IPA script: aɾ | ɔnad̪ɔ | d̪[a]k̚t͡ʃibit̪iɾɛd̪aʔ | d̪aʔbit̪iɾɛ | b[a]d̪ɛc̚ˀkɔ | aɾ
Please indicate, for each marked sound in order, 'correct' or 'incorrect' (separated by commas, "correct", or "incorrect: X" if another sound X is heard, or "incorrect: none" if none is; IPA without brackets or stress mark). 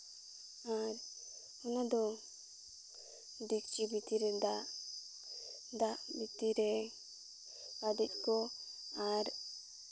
incorrect: i, correct